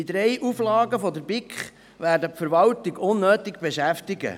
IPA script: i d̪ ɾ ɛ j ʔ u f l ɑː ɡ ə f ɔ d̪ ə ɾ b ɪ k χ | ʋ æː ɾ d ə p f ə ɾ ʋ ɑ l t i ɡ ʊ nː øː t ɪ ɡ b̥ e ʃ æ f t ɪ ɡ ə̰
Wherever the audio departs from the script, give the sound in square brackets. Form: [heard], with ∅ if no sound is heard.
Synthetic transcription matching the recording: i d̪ ɾ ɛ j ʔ u f l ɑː ɡ ə f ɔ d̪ ə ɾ b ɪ k χ | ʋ æː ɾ d ə p f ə ɾ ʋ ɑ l t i ɡ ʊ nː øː t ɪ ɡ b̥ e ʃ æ f t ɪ ɡ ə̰